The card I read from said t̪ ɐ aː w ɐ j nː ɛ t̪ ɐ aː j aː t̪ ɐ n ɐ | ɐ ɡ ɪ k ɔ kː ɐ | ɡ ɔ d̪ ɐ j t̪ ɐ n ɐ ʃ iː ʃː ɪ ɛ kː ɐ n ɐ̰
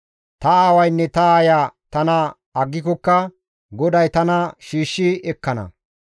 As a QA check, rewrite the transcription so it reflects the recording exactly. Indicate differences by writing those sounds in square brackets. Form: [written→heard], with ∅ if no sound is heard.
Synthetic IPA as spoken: t̪ ɐ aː w ɐ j nː ɛ t̪ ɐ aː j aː t̪ ɐ n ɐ | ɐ [ɡ→ɡː] ɪ k ɔ kː ɐ | ɡ ɔ d̪ ɐ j t̪ ɐ n ɐ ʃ iː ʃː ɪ ɛ kː ɐ n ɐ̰